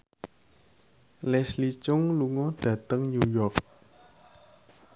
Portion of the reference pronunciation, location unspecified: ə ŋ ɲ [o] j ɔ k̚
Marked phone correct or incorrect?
incorrect